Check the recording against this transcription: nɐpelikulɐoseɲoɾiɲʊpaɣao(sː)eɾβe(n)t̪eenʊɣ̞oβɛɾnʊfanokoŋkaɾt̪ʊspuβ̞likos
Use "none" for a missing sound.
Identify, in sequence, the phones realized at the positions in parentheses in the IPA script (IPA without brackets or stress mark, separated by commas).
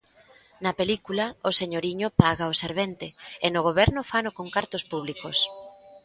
s, n